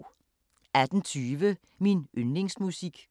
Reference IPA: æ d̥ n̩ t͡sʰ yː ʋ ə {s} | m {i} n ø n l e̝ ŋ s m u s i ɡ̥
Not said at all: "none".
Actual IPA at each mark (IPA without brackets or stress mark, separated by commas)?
none, i